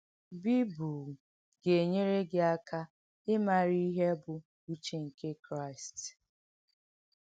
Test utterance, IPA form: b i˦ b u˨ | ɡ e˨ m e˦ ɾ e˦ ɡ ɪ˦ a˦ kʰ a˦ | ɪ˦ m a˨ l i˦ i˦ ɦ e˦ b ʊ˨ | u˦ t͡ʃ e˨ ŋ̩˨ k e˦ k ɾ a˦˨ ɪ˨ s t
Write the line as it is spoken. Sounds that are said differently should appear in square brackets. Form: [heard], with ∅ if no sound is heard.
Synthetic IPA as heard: b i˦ b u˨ | ɡ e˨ [ɲ] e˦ ɾ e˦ ɡ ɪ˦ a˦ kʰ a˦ | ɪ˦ m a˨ [ɾ] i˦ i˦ ɦ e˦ b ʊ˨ | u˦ t͡ʃ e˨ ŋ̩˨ k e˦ k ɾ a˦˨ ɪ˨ s t

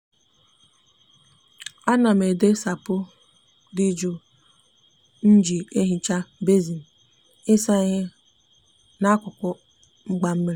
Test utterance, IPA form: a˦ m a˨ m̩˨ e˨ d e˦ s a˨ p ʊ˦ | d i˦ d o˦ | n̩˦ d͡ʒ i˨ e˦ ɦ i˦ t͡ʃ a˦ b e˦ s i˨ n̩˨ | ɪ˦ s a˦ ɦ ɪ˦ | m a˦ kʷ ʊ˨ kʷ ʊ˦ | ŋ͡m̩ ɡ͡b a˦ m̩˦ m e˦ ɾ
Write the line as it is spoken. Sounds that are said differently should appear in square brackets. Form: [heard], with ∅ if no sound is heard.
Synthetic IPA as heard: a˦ [n] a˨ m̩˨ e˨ d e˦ s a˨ p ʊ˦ | d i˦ [d͡ʒ] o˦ | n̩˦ d͡ʒ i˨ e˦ ɦ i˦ t͡ʃ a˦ b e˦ [z] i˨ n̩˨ | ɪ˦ s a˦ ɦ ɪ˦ | [n] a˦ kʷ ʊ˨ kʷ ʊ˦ | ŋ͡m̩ ɡ͡b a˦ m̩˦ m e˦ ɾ

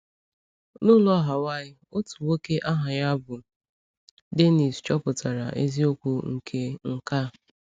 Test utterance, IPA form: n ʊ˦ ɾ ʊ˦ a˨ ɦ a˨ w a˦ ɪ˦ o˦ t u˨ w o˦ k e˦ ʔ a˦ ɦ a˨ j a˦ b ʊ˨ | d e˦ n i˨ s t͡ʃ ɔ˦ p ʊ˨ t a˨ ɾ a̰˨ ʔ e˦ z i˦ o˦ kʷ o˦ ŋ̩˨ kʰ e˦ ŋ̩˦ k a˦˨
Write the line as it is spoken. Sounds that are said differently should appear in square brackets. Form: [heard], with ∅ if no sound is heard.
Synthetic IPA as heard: n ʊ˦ [l] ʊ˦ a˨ ɦ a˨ w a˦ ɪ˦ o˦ t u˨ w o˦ k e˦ ʔ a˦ ɦ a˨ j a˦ b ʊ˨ | d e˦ n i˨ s t͡ʃ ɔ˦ p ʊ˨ t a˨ ɾ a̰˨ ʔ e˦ z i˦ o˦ kʷ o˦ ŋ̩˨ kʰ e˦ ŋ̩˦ k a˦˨

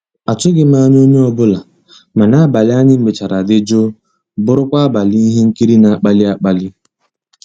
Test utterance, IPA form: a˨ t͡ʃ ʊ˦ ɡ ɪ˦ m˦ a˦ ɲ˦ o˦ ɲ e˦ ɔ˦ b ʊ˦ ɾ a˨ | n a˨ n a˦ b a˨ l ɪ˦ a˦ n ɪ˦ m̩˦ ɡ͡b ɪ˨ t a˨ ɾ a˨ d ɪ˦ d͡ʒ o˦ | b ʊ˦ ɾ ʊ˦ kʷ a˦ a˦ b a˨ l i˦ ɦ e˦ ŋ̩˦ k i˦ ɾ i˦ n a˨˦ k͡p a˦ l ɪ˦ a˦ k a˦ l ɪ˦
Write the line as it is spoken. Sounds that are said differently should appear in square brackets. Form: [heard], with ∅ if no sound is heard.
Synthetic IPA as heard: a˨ t͡ʃ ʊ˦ ɡ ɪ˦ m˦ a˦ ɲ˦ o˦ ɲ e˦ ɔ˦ b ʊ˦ [l] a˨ | [m] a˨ n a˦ b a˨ l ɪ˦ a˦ [ɲ] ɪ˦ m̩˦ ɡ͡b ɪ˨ [t͡ʃ] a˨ ɾ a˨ d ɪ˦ d͡ʒ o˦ | b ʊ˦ ɾ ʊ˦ kʷ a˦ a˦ b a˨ l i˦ ɦ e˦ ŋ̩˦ k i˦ ɾ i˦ n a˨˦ k͡p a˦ l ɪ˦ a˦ [k͡p] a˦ l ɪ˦

